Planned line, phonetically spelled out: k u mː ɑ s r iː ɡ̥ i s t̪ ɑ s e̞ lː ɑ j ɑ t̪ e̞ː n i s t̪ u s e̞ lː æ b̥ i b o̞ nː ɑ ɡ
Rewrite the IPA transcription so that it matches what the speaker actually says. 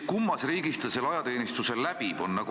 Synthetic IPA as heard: k u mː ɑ s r iː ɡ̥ i s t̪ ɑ s e̞ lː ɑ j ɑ t̪ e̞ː n i s t̪ u s e̞ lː æ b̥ i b o̞ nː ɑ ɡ